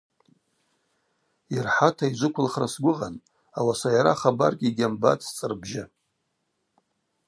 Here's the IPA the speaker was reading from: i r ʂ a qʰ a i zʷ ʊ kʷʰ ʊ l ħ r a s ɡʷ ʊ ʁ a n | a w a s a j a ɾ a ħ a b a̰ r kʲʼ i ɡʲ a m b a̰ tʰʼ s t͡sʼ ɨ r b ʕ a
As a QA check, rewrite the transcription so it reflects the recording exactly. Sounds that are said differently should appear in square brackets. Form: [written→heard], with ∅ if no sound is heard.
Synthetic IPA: i r [ʂ→ħ] a [qʰ→tʰ] a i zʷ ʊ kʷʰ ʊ l [ħ→χ] r a s ɡʷ ʊ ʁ a n | a w a s a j a ɾ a [ħ→χ] a b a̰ r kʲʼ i ɡʲ a m b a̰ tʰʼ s t͡sʼ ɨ r b [ʕ→ʒ] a